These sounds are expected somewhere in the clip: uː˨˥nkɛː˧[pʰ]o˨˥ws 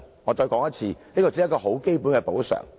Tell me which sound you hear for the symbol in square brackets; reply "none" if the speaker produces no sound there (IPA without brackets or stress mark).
p